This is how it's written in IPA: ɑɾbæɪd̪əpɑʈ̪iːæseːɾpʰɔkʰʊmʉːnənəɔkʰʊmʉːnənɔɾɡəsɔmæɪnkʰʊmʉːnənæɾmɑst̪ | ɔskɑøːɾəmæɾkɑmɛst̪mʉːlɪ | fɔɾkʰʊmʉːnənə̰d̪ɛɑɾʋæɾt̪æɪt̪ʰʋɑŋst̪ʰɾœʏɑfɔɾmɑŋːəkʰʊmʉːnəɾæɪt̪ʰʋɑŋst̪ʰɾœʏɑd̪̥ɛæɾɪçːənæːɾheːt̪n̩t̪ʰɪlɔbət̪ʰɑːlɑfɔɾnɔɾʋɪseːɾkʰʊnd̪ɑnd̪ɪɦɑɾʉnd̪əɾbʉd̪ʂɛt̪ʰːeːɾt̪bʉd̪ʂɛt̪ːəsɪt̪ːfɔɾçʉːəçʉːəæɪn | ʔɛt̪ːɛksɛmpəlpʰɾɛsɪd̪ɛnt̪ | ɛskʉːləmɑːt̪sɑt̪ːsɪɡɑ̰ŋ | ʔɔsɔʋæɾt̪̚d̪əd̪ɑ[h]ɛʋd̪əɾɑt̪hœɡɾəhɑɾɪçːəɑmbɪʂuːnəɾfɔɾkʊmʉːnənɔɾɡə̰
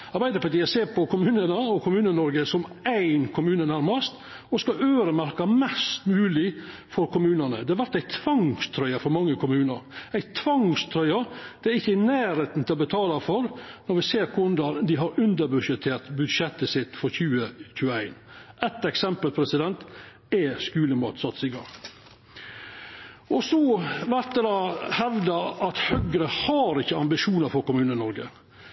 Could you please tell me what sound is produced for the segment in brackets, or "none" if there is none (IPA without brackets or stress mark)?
h